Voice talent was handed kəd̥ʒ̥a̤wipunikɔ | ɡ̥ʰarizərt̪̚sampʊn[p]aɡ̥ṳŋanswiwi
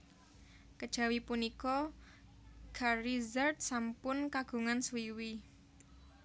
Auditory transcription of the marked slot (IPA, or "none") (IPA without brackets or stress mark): k